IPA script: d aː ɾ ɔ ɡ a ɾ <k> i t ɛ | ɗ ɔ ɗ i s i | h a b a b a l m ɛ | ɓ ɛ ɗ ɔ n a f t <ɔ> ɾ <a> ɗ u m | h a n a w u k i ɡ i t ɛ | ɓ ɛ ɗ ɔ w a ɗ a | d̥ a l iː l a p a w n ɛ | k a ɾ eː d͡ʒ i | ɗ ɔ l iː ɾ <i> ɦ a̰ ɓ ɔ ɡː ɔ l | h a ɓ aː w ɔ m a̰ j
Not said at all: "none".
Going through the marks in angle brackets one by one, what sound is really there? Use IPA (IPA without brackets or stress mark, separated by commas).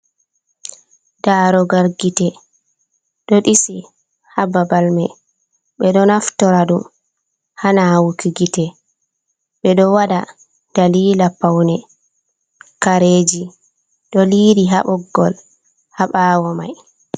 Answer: ɡ, ɔ, a, i